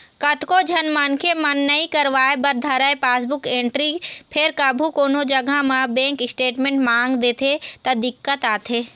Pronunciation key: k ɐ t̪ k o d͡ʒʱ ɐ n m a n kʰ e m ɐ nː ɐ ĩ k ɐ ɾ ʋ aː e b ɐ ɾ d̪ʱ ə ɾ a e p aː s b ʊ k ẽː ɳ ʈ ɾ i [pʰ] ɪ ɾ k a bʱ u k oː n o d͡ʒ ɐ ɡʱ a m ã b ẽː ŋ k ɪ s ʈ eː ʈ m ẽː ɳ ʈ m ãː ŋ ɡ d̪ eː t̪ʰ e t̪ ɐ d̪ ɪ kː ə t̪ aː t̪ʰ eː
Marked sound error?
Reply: no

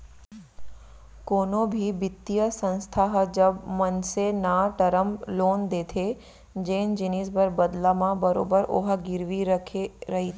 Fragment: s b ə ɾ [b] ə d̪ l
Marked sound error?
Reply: no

